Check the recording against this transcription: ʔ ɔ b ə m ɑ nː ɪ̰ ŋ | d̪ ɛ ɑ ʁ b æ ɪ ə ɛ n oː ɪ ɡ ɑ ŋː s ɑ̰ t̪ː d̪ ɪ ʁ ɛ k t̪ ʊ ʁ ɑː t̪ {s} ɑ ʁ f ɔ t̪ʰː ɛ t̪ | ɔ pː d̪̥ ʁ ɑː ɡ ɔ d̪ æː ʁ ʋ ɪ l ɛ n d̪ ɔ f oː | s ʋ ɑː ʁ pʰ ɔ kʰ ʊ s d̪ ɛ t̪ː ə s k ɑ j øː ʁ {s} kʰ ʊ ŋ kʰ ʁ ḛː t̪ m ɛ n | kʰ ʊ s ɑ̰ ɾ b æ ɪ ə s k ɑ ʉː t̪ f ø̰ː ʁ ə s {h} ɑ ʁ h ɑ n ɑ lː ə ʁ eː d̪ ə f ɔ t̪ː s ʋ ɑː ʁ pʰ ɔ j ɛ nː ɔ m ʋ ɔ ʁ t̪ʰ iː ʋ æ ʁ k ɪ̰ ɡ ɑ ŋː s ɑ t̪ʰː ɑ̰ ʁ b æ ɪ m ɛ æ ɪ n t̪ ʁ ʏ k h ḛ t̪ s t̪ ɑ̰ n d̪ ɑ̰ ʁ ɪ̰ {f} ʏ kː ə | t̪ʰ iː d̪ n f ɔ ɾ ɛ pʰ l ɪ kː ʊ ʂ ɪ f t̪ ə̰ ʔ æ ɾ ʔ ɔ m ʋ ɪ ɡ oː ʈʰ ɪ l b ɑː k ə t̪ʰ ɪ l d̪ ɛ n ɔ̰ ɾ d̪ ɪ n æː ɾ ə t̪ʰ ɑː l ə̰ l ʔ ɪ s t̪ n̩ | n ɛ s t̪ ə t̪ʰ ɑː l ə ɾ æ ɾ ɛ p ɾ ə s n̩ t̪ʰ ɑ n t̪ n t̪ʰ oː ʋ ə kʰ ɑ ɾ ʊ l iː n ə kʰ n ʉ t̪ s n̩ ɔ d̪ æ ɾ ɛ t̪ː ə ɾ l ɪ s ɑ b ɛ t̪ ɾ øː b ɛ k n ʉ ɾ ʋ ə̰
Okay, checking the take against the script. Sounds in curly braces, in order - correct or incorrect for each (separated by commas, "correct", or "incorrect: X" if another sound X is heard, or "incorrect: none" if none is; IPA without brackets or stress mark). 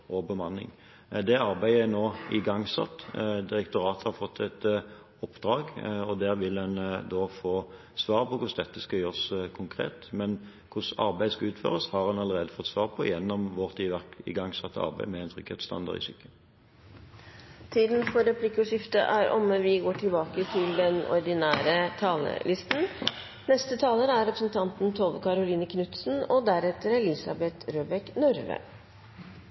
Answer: incorrect: h, correct, correct, incorrect: s